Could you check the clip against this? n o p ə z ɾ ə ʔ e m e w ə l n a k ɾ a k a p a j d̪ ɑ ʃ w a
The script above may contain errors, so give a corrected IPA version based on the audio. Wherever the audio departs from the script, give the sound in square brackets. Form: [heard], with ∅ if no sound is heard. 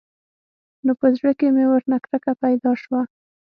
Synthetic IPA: n o p ə z [ɽ] ə [k] e m e w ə [ɾ] n a k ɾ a k a p a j d̪ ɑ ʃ w a